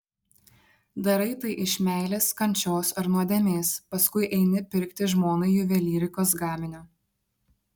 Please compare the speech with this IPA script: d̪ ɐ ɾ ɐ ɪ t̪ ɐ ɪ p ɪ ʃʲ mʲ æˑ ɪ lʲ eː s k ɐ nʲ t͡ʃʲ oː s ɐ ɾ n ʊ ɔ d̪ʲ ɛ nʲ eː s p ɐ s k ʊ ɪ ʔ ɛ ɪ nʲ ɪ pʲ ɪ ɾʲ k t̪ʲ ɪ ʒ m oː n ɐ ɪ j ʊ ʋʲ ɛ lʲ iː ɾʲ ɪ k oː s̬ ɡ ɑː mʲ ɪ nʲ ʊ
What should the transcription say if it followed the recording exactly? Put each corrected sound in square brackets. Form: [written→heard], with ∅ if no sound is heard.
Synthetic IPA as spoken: d̪ ɐ ɾ ɐ ɪ t̪ ɐ ɪ [p→ʔ] ɪ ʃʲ mʲ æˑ ɪ lʲ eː s k ɐ nʲ t͡ʃʲ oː s ɐ ɾ n [ʊ→u] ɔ d̪ʲ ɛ [nʲ→mʲ] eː s p ɐ s k ʊ ɪ ʔ ɛ ɪ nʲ ɪ pʲ ɪ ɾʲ k t̪ʲ ɪ ʒ m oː n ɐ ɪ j ʊ ʋʲ ɛ lʲ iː ɾʲ ɪ k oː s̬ ɡ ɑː mʲ ɪ nʲ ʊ